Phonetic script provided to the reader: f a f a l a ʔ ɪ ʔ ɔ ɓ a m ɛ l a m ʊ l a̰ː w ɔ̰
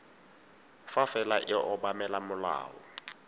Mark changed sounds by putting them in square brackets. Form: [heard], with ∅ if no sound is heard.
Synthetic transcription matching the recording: f a f [ɛ] l a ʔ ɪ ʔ ɔ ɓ a m ɛ l a m ʊ l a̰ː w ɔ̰